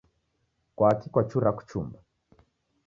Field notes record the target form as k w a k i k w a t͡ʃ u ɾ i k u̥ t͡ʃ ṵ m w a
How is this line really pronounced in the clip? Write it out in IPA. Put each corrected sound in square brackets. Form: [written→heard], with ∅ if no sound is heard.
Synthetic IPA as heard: k w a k i k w a t͡ʃ u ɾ [i→a] k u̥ t͡ʃ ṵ m [w→b] a